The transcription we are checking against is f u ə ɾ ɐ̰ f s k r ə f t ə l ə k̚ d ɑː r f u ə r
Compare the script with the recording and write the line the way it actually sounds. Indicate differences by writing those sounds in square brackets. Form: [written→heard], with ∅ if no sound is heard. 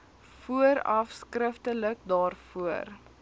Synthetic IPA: f u ə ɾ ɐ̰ f s k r ə f t ə l ə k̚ d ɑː r f u ə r